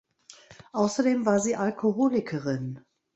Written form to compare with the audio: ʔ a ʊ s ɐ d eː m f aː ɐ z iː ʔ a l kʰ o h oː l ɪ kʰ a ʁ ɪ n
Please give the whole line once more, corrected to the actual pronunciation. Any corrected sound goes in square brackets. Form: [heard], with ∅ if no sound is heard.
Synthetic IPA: ʔ a ʊ s ɐ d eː m [v] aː ɐ z iː ʔ a l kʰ o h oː l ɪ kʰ [ə] ʁ ɪ n